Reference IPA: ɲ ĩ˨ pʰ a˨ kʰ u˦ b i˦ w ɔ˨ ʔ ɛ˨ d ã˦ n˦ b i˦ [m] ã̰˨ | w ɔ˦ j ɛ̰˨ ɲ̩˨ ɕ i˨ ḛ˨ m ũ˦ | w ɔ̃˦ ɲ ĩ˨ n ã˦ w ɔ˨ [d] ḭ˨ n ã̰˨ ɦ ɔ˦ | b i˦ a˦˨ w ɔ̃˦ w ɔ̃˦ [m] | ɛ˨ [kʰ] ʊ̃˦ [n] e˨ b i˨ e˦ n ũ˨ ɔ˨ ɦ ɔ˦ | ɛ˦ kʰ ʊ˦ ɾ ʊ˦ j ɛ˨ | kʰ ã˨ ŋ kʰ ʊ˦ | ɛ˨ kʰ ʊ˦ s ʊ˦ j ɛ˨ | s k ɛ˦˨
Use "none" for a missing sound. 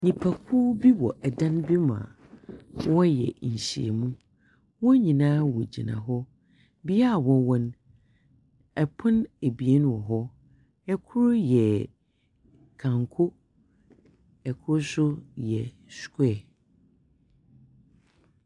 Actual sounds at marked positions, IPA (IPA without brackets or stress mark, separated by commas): m, d͡ʑ, n, pʰ, n